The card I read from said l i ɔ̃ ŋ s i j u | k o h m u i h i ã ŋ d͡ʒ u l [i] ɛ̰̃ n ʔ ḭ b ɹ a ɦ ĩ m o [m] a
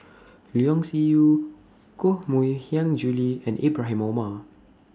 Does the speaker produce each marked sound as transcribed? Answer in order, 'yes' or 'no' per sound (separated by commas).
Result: yes, yes